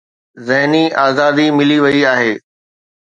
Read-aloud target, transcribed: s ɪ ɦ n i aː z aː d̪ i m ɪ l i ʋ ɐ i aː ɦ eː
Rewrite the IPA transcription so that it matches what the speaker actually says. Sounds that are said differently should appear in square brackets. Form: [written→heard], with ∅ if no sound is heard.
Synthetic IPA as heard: [s→z] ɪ ɦ n i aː z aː d̪ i m ɪ l i ʋ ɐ i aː ɦ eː